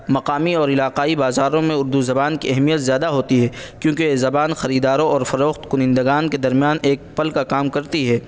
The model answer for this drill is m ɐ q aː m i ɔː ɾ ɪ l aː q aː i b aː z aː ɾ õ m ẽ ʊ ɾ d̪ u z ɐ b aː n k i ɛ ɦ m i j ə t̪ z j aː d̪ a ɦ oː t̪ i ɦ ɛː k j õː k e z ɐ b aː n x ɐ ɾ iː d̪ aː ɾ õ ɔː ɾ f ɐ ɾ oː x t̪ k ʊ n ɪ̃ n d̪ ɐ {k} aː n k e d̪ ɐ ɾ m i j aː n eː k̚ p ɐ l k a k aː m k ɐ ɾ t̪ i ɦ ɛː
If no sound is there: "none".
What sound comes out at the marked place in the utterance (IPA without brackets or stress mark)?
ɡ